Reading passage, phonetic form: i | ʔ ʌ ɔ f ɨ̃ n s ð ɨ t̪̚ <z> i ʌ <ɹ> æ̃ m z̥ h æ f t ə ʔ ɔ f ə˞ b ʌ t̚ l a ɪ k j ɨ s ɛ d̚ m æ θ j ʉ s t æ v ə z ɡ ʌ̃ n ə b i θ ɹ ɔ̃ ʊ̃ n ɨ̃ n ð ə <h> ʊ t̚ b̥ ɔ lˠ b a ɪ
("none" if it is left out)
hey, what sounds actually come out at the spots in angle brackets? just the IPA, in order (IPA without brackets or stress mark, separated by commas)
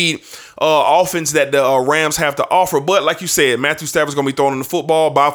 ð, ɹ, f